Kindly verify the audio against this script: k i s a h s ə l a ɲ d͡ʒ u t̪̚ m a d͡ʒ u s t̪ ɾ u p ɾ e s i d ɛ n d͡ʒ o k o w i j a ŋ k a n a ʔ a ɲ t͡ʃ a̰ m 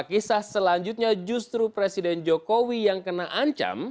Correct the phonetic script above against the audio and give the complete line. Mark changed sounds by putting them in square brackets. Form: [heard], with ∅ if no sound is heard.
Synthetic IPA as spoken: k i s a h s ə l a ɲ d͡ʒ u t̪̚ [ɲ] a d͡ʒ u s t̪ ɾ u p ɾ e s i d ɛ n d͡ʒ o k o w i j a ŋ k [ə] n a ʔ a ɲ t͡ʃ a̰ m